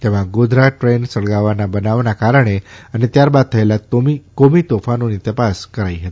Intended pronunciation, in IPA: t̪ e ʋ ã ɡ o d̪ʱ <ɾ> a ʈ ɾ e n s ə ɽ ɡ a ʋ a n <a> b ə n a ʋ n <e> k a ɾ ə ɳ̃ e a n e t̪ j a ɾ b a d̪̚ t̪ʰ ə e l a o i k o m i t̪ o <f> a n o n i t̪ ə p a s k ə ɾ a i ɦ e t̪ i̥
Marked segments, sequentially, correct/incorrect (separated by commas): correct, correct, incorrect, correct